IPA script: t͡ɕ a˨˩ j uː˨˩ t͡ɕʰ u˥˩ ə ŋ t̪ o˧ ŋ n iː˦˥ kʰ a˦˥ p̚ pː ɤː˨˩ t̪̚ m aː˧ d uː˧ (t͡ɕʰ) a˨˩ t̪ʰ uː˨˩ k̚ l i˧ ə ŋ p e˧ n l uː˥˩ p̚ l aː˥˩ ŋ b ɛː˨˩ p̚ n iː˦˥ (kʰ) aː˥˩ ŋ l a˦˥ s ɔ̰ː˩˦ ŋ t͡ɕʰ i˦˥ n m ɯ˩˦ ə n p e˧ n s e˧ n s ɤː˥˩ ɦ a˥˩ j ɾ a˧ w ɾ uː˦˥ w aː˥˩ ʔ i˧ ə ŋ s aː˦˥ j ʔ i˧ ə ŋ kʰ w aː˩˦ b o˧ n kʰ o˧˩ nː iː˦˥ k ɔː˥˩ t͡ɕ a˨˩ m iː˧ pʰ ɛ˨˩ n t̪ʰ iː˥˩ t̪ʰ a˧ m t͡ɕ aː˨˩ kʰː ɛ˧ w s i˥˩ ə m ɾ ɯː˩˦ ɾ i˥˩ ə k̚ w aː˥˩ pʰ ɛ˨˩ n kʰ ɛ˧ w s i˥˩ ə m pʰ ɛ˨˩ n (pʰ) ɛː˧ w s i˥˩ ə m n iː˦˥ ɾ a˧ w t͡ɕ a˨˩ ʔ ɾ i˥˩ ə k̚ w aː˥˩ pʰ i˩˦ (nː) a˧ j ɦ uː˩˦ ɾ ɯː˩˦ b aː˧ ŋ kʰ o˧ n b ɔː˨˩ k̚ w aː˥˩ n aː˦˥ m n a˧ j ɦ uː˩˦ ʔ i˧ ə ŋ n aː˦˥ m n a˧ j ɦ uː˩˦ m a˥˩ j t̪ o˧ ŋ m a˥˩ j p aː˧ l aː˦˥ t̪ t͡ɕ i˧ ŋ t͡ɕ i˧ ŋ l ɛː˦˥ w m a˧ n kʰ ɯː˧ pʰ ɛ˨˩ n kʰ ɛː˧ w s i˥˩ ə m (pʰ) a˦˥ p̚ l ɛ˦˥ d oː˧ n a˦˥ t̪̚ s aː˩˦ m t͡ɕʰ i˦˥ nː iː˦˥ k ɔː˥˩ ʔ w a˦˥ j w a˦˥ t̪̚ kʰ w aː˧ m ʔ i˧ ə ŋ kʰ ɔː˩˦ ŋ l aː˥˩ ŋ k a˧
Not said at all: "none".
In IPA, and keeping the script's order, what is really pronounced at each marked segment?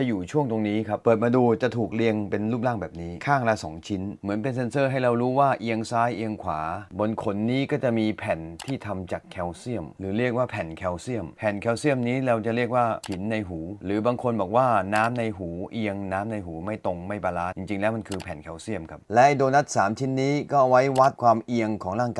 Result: t͡ɕ, kʰ, kʰ, nː, kʰ

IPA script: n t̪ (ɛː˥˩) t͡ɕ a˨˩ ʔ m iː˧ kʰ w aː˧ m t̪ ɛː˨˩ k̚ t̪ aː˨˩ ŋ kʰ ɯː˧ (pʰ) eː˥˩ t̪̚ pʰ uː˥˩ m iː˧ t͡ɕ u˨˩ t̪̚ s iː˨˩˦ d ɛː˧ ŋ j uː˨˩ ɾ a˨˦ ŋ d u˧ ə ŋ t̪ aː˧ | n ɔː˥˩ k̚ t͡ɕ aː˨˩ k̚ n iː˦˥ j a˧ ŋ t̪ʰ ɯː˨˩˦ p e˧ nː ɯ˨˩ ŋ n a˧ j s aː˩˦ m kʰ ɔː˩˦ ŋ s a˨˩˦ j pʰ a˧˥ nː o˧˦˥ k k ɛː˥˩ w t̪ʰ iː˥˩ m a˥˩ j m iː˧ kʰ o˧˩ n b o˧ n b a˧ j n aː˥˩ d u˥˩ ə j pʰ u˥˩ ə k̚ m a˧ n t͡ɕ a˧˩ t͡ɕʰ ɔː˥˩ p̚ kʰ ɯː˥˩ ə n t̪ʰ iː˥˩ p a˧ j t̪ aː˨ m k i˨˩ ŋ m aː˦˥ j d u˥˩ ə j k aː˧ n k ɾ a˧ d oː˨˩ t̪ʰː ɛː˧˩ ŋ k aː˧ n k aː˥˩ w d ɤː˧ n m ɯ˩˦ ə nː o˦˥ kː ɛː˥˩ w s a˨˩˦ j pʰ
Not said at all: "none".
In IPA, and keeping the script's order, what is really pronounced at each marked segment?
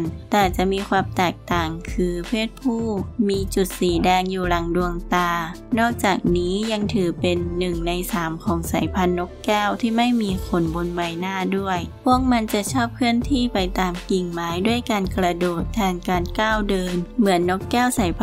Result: ɛː˨˩, pʰ

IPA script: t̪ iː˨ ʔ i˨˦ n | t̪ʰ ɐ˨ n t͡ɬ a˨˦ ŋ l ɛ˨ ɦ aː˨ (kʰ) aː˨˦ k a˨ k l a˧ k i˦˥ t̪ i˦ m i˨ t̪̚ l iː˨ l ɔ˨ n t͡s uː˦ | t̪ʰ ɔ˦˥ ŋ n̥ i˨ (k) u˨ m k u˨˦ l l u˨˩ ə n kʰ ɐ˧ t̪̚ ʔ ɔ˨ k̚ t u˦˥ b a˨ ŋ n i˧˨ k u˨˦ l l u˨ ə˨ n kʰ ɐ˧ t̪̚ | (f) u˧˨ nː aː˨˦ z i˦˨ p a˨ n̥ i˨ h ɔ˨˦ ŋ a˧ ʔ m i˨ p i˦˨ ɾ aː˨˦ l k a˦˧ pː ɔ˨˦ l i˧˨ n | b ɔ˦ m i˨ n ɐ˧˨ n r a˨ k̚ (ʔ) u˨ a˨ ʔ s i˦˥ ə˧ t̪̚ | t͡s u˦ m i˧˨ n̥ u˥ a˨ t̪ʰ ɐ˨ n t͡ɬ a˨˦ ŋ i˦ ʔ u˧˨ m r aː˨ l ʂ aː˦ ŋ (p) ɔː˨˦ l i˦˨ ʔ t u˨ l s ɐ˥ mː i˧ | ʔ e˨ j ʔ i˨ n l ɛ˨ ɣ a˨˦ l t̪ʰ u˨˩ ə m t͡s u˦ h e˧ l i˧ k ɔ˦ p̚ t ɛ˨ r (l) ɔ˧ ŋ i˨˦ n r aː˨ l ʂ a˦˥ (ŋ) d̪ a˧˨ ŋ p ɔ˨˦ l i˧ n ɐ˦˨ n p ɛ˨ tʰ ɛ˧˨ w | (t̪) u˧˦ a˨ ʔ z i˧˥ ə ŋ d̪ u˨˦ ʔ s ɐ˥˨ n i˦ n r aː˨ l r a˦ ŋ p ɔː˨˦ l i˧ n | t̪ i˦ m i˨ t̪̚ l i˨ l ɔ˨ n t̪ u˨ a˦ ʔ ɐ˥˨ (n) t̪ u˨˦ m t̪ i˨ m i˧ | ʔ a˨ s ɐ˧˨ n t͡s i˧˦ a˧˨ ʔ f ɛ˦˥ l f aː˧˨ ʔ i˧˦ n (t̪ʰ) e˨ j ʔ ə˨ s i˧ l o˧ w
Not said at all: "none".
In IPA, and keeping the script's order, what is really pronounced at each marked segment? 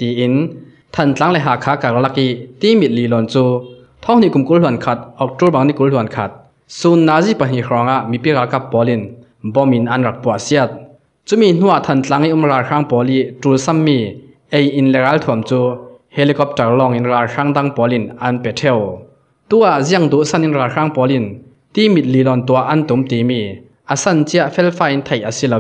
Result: kʰ, k, s, p, p, l, ŋ, t̪, n, t̪ʰ

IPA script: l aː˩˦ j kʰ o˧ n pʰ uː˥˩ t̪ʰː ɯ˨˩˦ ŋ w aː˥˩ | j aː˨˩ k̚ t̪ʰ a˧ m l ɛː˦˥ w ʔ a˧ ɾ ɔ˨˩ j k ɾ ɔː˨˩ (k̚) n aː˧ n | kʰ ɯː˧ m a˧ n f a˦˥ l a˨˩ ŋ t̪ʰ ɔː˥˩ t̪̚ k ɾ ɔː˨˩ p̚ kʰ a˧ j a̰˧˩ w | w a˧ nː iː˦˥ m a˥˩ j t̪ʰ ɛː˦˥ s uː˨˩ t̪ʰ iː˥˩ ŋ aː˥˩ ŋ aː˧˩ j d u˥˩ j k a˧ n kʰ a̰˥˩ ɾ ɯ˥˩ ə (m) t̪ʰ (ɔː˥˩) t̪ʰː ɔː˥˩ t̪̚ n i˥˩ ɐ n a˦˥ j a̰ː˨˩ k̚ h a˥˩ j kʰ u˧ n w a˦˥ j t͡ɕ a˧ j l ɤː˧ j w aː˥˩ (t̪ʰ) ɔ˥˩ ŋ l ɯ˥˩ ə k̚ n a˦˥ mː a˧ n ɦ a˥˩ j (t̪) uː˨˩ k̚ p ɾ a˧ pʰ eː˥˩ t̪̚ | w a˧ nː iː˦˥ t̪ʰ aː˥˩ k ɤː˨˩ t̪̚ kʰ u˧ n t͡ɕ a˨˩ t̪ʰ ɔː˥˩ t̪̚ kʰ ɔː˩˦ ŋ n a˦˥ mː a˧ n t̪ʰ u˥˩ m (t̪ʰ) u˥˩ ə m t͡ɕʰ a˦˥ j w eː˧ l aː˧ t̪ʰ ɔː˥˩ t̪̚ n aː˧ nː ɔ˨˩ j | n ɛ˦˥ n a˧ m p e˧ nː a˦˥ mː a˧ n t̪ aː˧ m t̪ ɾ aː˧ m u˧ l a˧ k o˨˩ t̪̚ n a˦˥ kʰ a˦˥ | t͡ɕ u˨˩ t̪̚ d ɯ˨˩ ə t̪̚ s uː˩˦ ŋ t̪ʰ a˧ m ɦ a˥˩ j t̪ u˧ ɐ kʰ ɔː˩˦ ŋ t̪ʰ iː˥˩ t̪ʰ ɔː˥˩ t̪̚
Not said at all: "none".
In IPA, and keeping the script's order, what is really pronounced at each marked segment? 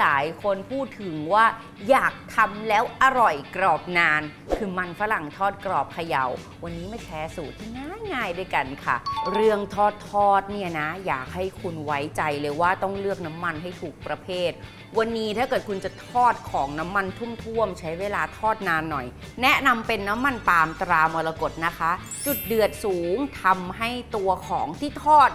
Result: p̚, ŋ, ɔː˥˩, t̪, t̪ʰ, t̪ʰ

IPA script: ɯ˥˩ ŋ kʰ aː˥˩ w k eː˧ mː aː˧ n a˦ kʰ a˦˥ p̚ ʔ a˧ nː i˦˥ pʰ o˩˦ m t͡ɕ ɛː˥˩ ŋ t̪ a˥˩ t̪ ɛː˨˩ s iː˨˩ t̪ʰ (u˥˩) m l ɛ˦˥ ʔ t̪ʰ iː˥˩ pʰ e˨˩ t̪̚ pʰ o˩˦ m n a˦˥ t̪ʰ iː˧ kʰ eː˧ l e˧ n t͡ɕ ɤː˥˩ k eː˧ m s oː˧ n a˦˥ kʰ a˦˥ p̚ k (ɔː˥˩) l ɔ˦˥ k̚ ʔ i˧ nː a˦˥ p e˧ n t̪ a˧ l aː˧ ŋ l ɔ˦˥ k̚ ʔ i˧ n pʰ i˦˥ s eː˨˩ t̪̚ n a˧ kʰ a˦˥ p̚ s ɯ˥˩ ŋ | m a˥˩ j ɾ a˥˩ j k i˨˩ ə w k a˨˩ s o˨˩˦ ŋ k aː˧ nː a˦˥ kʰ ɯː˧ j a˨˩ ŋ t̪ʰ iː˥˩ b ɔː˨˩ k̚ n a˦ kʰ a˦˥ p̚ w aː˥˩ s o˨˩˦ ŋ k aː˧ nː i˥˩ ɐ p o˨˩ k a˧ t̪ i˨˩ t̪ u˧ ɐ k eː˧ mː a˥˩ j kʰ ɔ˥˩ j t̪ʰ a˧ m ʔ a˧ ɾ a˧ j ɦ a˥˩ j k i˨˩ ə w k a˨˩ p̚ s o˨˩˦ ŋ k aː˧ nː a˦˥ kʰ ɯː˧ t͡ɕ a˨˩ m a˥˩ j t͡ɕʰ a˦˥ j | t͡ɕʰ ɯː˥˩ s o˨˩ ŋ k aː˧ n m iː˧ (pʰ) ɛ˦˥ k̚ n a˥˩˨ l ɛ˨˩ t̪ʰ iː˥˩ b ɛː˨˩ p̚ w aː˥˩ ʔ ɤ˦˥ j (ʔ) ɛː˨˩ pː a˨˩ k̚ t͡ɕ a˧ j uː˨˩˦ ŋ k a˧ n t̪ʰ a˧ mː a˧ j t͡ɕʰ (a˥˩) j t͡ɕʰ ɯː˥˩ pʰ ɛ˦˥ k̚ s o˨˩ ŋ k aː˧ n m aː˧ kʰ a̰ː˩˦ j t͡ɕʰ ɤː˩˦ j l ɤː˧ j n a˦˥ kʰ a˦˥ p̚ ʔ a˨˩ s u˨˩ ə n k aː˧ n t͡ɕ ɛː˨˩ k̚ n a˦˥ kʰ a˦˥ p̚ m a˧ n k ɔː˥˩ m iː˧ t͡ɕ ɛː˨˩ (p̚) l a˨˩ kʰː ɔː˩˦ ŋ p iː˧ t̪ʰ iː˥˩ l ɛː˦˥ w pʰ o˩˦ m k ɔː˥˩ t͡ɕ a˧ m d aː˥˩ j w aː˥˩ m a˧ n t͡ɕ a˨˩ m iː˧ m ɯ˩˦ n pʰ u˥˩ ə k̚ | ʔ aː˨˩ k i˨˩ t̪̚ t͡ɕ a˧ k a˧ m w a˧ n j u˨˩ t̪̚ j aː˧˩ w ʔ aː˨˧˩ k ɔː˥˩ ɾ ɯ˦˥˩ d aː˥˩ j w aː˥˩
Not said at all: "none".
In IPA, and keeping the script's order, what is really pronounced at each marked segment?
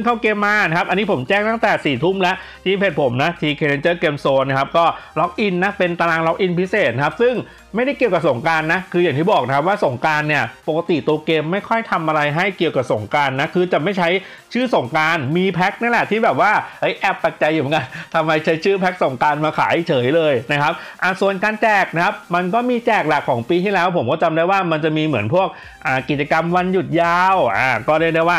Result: u˥˩, ɔː˥˩, pʰ, ʔ, a˦˥, k̚

